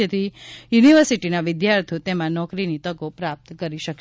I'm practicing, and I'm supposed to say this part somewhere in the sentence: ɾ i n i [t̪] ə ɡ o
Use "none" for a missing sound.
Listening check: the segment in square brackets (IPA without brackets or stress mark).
t̪